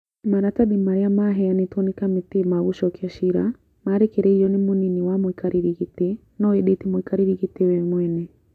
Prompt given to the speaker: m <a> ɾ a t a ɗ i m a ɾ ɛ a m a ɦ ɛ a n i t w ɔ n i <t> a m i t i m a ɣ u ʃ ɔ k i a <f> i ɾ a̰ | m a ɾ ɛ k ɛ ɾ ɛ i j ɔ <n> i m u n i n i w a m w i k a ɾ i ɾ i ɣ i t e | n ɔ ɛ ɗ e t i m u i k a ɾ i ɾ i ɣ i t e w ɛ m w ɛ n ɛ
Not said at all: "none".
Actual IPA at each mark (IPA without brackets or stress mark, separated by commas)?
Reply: a, k, ʃ, n